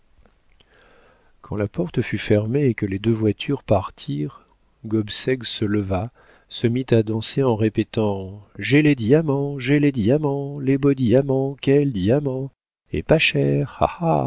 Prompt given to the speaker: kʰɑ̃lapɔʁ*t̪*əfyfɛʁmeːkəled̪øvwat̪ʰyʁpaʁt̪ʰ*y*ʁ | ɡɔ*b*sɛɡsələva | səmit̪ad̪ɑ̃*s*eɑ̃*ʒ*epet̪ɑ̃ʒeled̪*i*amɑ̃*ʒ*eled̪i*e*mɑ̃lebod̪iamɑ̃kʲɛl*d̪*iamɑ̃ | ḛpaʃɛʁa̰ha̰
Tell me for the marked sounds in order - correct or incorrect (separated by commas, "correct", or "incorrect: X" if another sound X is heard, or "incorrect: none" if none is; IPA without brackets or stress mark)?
correct, incorrect: i, correct, correct, incorrect: ʁ, correct, correct, incorrect: a, correct